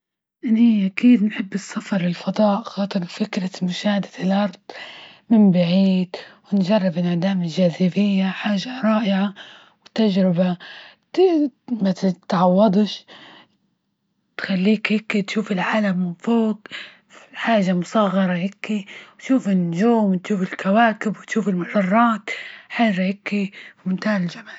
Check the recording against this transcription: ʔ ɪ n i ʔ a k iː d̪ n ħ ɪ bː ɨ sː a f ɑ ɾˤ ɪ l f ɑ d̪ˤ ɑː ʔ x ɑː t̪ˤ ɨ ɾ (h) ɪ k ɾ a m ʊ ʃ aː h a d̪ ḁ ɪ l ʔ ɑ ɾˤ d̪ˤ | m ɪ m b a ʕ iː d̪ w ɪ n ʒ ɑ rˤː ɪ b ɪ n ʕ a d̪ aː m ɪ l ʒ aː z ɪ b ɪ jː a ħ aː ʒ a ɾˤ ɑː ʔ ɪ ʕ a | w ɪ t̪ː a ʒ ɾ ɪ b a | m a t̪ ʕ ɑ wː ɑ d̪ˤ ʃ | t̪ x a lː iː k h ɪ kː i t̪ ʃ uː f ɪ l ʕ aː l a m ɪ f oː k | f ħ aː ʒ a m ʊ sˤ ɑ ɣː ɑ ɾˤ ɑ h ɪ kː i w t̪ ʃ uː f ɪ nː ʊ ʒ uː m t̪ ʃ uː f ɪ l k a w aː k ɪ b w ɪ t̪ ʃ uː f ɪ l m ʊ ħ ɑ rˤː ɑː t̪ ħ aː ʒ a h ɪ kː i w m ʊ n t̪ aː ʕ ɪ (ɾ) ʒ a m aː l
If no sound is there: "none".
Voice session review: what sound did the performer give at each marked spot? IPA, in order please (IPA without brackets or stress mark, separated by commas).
f, l